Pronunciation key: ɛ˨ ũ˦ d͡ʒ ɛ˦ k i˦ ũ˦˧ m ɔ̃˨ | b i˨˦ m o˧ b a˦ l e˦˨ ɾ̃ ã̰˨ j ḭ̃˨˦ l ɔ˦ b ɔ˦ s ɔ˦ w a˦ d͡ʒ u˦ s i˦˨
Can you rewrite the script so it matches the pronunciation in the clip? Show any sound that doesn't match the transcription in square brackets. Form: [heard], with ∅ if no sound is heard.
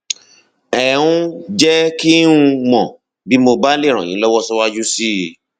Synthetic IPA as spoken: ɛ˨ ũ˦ d͡ʒ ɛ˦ k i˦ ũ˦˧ m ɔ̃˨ | b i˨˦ m o˧ b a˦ l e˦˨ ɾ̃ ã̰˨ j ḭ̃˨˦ l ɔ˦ [w] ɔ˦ s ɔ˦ w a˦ d͡ʒ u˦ s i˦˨